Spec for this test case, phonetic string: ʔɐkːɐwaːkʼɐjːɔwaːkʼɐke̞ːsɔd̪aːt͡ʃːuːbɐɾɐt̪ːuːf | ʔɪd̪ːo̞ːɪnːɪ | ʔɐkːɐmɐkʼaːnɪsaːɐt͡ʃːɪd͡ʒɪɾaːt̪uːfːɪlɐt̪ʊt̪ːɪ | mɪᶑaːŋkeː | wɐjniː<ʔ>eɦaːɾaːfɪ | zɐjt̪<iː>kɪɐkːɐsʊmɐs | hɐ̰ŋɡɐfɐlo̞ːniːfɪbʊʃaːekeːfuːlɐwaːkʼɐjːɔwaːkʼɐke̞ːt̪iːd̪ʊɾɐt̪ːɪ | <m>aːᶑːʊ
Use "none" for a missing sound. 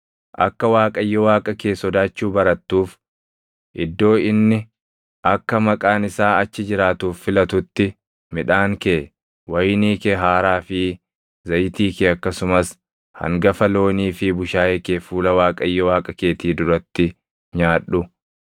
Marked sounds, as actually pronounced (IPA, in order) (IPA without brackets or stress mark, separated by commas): k, iː, ɲ